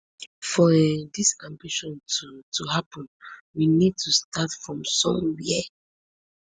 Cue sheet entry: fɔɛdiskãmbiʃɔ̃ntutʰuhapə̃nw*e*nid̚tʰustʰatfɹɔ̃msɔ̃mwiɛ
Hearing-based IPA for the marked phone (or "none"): i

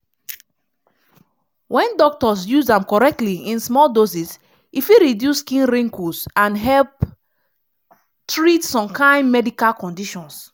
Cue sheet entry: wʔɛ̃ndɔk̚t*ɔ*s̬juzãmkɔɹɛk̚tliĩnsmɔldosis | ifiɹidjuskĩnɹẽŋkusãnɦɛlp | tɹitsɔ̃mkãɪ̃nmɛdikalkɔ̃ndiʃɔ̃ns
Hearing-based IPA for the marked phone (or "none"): ɔ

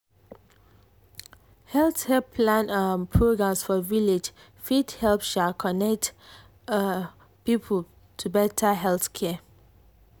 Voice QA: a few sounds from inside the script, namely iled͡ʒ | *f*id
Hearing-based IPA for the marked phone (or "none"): f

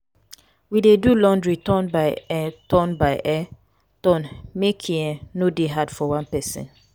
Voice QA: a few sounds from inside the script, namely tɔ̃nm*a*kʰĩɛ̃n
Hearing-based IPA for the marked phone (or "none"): e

